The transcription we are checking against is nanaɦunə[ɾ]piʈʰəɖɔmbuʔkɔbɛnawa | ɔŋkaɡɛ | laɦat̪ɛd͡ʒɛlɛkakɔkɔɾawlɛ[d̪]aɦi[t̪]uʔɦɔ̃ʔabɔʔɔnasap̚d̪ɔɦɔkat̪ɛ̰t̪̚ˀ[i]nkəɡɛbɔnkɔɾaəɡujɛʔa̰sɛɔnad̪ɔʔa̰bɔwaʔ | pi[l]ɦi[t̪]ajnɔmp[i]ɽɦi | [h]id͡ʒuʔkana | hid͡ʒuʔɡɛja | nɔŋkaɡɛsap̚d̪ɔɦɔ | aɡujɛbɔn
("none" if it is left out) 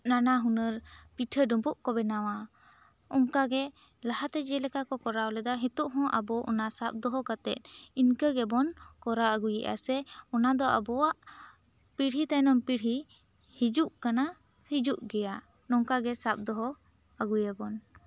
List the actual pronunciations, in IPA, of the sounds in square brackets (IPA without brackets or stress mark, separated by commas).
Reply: ɾ, d̪, t̪, i, ɽ, t̪, i, h